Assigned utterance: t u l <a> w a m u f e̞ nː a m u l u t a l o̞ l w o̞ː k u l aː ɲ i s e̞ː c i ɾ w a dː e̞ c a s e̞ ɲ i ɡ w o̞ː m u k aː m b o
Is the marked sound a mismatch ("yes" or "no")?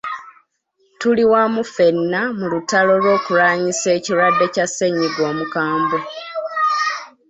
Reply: yes